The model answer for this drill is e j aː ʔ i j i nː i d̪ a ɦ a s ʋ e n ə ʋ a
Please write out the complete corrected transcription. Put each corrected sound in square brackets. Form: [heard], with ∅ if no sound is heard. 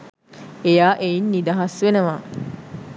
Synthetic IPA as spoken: e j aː ʔ [e] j i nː i d̪ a ɦ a s ʋ e n ə ʋ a